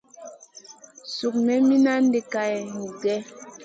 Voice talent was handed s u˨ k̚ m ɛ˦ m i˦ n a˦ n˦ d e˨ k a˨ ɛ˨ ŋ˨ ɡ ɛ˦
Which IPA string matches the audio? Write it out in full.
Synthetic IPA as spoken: s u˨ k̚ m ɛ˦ m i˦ n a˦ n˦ d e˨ k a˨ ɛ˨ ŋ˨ ɡ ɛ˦